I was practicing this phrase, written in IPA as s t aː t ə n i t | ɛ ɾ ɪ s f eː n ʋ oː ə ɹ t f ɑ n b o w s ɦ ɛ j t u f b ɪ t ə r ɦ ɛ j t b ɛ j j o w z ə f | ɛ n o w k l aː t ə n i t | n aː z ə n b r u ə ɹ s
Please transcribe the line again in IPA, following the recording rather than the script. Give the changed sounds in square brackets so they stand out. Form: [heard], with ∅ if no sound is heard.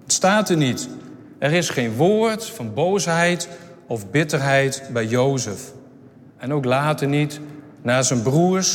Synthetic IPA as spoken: s t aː t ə n i t | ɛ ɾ ɪ s [χ] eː n ʋ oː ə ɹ t f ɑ n b o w s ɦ ɛ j t [ɔ] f b ɪ t ə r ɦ ɛ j t b ɛ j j o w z ə f | ɛ n o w k l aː t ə n i t | n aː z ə n b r u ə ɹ s